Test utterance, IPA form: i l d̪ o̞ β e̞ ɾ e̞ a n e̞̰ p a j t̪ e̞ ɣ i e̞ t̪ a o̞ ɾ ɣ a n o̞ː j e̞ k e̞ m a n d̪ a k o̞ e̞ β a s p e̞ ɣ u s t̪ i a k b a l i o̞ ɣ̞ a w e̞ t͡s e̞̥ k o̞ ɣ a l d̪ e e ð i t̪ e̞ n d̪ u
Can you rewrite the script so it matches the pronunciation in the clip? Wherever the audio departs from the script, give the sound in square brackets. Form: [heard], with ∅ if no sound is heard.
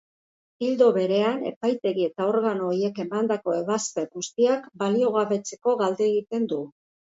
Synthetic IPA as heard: i l d̪ o̞ β e̞ ɾ e̞ a n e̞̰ p a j t̪ e̞ ɣ i e̞ t̪ a o̞ ɾ ɣ a n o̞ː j e̞ k e̞ m a n d̪ a k o̞ e̞ β a s p e̞ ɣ u s t̪ i a k b a l i o̞ ɣ̞ a [β] e̞ t͡s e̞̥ k o̞ ɣ a l d̪ e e [ɣ] i t̪ e̞ n d̪ u